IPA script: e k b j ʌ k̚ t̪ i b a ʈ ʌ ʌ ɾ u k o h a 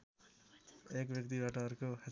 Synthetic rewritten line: e k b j ʌ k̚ t̪ i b a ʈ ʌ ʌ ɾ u k o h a